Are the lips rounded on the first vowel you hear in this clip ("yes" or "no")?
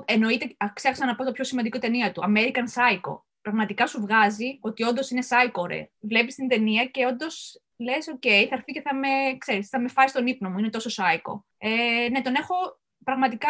no